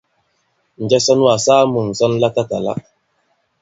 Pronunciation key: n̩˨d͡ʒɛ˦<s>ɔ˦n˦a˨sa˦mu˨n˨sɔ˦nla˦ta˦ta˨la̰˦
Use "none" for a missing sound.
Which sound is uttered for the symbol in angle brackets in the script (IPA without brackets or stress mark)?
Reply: s